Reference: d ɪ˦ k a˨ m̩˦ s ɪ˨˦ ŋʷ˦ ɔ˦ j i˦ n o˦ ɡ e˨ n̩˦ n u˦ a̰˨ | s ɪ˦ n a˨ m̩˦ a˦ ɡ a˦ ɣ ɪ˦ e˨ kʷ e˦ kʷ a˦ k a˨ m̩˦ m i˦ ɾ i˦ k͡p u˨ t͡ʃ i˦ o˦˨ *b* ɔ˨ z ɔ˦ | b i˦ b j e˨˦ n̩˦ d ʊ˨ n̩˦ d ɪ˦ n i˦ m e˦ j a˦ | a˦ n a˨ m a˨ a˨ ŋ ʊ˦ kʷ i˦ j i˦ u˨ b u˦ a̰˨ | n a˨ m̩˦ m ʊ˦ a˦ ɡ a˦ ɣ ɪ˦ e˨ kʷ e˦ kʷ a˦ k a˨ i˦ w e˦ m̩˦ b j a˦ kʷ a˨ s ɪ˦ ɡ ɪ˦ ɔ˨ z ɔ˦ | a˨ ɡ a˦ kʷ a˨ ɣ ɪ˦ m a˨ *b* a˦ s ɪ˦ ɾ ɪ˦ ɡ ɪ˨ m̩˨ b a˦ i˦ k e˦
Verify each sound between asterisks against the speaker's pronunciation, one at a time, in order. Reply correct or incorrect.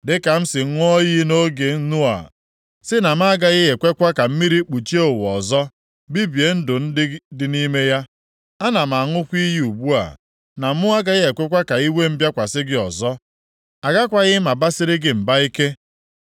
incorrect, correct

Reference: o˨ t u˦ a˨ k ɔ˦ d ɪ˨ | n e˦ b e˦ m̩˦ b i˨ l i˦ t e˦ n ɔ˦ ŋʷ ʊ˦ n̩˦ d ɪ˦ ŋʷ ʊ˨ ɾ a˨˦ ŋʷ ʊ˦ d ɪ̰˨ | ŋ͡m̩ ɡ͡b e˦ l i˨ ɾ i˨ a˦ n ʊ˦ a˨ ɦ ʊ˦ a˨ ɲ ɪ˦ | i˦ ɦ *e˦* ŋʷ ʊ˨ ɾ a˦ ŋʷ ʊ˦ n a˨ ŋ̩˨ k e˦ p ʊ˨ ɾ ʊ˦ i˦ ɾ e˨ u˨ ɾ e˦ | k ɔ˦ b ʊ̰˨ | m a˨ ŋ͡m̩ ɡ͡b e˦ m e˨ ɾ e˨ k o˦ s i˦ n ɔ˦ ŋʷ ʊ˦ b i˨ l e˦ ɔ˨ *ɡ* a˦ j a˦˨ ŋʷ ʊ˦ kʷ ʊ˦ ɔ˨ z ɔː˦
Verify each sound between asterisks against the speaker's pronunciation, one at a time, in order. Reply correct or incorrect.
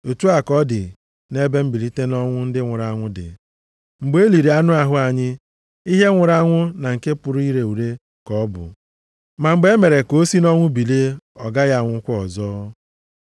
correct, correct

